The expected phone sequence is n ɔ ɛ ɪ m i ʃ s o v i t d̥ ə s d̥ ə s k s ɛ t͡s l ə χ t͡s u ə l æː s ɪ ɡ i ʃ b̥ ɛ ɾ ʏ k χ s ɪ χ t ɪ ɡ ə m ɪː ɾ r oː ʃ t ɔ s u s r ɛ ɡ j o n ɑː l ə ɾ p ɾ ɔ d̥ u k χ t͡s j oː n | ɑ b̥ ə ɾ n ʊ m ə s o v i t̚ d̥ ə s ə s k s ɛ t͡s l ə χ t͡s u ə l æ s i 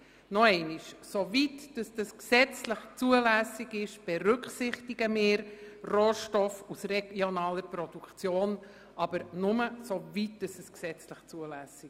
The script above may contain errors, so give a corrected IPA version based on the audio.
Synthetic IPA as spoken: n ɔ ɛ ɪ n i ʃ s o v i t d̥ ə s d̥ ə s k s ɛ t͡s l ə χ t͡s u ə l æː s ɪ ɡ ɪ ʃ b̥ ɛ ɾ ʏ k χ s ɪ χ t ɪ ɡ ə m ɪː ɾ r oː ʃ t ɔ f u s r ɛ ɡ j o n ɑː l ə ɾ p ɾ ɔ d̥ u k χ t͡s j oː n | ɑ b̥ ə ɾ n ʊ m ə s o v i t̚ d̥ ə s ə s k s ɛ t͡s l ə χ t͡s u ə l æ s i